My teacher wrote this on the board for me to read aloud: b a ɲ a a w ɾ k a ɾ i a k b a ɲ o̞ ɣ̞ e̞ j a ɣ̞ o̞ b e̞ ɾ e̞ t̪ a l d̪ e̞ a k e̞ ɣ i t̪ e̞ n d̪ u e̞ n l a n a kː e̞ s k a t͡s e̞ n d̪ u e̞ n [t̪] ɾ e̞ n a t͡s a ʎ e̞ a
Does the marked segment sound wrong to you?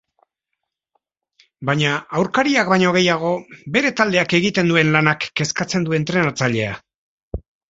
no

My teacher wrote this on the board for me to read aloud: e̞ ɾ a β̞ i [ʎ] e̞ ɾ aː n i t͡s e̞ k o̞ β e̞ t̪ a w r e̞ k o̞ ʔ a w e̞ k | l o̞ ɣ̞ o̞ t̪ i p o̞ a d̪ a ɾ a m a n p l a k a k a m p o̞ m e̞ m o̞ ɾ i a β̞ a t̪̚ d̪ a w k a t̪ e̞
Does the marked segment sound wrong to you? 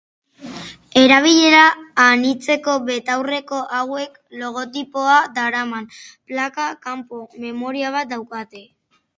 no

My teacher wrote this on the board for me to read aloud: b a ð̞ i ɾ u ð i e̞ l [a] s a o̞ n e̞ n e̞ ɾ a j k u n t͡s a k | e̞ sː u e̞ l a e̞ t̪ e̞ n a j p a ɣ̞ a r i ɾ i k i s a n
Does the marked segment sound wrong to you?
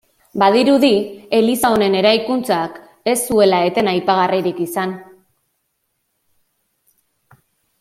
yes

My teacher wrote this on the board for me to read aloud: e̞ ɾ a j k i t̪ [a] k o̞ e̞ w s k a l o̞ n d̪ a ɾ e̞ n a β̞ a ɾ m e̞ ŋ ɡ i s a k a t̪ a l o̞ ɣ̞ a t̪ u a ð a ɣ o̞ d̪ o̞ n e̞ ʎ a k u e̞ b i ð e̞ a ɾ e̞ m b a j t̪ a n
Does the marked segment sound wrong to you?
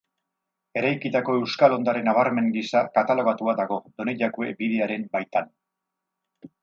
no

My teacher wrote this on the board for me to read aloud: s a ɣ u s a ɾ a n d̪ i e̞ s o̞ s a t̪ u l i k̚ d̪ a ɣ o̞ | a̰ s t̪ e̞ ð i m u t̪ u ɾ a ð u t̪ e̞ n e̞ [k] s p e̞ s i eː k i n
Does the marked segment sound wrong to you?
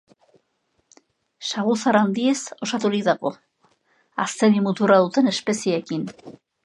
yes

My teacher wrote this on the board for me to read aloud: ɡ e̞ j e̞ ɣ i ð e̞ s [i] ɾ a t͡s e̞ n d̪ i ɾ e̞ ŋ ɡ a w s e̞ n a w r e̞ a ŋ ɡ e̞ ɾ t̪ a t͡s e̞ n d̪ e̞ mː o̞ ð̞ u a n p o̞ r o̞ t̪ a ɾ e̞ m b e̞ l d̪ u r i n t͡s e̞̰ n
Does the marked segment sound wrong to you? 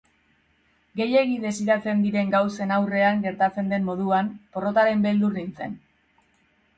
no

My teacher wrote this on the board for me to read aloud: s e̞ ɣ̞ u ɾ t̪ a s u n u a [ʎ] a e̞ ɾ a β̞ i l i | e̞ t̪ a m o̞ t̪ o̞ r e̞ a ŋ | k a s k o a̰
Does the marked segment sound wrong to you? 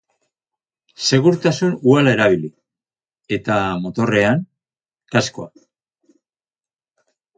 yes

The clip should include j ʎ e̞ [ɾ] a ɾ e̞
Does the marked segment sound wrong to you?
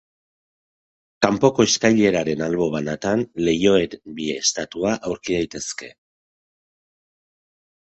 no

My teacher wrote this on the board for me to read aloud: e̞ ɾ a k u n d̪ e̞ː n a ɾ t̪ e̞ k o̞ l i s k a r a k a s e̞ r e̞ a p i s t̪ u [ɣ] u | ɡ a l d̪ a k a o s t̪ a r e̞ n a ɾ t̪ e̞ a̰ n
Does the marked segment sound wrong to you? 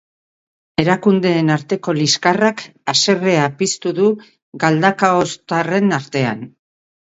yes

